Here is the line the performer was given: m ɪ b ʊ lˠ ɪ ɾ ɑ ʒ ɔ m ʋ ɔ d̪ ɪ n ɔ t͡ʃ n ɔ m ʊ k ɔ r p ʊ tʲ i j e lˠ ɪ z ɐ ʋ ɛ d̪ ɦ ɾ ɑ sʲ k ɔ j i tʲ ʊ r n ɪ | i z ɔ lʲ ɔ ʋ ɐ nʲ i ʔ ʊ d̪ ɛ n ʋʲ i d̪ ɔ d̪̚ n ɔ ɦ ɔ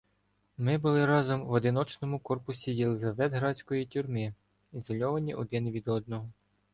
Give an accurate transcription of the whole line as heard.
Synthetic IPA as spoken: m ɪ b ʊ lˠ ɪ ɾ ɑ z ɔ m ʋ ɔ d̪ ɪ n ɔ t͡ʃ n ɔ m ʊ k ɔ r p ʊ sʲ i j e lˠ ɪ z ɐ ʋ ɛ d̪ ɦ ɾ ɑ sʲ k ɔ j i tʲ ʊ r m ɪ | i z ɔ lʲ ɔ ʋ ɐ nʲ i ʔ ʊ d̪ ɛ n ʋʲ i d̪ ɔ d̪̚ n ɔ ɦ ɔ